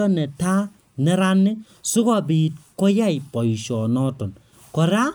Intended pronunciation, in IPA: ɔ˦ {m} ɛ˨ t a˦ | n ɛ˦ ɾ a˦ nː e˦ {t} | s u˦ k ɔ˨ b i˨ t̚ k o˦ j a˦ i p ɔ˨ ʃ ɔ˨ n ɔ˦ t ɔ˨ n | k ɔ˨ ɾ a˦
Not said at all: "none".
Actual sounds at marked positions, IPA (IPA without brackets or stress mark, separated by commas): n, none